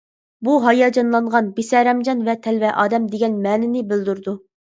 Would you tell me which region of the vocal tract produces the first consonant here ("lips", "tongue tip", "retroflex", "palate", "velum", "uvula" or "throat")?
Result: lips